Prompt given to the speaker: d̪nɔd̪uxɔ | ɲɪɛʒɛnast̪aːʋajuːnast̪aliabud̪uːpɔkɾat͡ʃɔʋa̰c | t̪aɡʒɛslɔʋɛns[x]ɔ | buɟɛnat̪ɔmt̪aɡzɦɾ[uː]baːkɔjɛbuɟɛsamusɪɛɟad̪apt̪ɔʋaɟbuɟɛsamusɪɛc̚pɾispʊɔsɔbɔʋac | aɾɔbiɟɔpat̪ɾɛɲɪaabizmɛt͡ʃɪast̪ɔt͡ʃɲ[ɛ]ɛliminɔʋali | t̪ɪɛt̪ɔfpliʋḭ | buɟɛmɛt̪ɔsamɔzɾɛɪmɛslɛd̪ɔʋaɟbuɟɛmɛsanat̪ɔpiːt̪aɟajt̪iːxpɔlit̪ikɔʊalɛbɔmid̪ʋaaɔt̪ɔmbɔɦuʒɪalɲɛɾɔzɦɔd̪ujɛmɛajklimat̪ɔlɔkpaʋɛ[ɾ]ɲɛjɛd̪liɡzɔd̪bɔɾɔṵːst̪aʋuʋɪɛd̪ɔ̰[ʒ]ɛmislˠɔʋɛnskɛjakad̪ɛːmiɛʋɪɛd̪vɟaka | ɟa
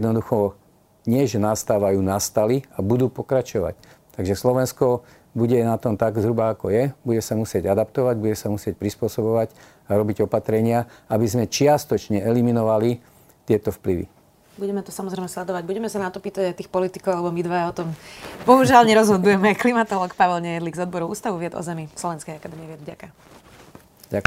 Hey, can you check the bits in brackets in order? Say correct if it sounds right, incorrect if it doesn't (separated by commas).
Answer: incorrect, incorrect, correct, incorrect, incorrect